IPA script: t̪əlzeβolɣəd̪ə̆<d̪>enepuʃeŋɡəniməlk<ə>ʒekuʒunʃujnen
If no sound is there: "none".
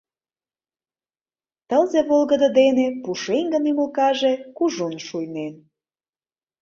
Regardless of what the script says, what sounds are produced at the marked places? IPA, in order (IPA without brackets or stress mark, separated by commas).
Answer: d̪, ɑ